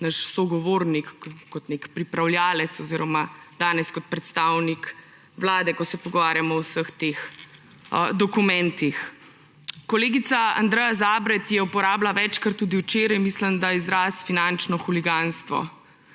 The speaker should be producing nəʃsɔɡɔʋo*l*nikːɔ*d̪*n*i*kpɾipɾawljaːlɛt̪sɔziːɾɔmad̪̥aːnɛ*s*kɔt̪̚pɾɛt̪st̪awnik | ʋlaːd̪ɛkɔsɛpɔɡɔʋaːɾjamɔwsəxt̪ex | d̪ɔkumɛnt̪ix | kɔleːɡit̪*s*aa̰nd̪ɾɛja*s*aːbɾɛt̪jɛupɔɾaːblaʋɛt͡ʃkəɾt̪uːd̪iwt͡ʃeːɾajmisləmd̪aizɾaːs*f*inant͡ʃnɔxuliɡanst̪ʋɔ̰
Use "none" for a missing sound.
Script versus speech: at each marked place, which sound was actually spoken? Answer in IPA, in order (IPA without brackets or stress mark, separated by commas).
ɾ, t̪, e, s, s, z, f